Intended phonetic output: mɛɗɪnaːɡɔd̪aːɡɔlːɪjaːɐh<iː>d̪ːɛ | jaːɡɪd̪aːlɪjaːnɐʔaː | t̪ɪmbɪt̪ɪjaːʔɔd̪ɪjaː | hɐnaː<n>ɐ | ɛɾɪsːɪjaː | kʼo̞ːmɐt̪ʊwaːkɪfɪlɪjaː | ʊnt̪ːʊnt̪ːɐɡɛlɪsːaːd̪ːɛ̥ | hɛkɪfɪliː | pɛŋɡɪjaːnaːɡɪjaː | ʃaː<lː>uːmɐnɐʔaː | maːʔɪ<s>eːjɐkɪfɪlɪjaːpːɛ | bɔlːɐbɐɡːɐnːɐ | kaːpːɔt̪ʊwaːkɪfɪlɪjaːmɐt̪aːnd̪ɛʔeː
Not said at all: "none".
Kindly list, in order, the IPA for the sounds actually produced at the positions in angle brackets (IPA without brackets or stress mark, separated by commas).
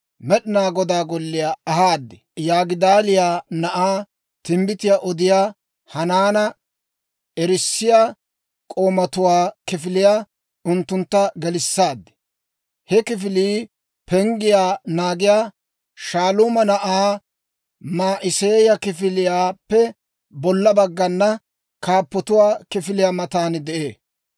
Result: aː, n, l, s